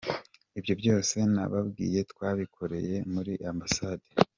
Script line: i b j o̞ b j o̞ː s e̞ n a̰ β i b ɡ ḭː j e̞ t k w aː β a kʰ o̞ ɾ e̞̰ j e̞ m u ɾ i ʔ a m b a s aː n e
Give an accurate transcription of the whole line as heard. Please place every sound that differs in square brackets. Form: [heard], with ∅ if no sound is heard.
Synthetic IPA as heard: i b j o̞ b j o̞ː s e̞ n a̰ β [a] b ɡ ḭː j e̞ t k w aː β [i] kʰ o̞ ɾ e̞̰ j e̞ m u ɾ i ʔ a m b a s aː [d] e